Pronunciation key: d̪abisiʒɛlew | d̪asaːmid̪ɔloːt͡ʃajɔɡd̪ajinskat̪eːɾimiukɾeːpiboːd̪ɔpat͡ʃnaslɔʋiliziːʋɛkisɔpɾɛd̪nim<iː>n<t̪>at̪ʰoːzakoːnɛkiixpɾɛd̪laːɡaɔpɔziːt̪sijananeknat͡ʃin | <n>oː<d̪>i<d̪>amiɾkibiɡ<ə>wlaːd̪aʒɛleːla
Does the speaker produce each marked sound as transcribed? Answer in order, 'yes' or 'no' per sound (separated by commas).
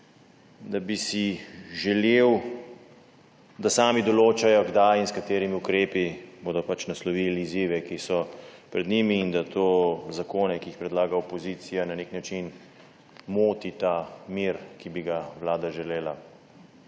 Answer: yes, no, no, no, no, no